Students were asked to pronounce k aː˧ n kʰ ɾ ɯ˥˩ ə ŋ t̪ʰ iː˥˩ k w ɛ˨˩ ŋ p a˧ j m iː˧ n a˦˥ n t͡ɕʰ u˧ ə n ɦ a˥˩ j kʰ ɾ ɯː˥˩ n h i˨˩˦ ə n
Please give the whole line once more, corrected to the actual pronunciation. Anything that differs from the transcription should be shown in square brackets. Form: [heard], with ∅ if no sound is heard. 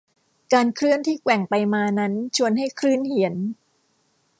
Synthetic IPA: k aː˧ n kʰ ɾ ɯ˥˩ ə [n] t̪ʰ iː˥˩ k w ɛ˨˩ ŋ p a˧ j m [aː˧] n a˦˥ n t͡ɕʰ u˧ ə n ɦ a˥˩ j kʰ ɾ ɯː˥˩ n h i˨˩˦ ə n

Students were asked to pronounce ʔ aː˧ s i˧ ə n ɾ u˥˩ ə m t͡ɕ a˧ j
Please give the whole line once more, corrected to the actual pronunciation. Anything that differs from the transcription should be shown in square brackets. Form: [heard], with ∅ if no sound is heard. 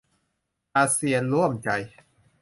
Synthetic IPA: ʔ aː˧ s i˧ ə n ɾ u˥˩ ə m t͡ɕ a˧ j

